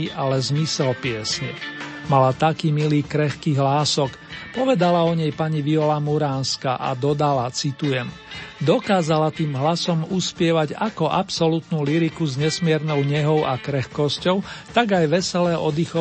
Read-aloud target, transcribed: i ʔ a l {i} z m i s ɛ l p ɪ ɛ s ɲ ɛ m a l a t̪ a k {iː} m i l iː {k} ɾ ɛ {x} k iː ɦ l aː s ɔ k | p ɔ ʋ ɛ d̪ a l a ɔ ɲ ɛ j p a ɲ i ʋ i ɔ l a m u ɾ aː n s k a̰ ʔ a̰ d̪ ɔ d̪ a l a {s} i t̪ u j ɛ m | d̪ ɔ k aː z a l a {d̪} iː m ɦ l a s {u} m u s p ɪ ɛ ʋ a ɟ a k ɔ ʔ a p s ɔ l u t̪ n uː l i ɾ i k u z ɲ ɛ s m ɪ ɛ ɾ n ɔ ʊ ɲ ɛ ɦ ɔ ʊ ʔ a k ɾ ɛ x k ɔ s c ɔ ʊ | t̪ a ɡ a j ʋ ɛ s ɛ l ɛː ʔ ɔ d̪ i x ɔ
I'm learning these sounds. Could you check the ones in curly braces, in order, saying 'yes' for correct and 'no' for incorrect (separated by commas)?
no, yes, yes, yes, no, no, no